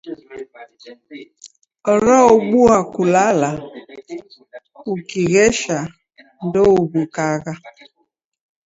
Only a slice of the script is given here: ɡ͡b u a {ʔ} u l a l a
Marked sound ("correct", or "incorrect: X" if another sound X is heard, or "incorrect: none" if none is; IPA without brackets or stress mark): incorrect: k